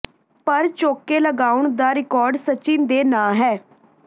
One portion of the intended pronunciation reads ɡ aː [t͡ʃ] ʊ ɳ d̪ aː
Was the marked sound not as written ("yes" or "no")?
yes